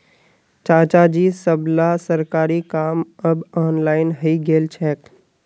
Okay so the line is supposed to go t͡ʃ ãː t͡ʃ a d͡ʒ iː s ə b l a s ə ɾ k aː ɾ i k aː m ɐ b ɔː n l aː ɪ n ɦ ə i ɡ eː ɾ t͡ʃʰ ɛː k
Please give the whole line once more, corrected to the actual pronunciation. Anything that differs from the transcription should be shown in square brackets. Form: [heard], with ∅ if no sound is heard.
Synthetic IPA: t͡ʃ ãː t͡ʃ a d͡ʒ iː s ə b l a s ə ɾ k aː ɾ i k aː m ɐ b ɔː n l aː ɪ n ɦ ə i ɡ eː [l] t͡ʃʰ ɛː k